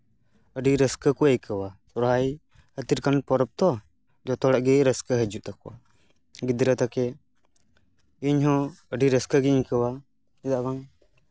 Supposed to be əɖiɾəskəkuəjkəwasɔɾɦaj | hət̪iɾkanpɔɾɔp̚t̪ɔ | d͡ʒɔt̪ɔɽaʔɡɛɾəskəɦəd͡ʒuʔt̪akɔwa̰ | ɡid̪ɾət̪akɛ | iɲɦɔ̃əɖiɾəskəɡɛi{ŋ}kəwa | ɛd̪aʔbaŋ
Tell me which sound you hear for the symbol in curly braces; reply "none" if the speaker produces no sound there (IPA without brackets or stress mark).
ɲ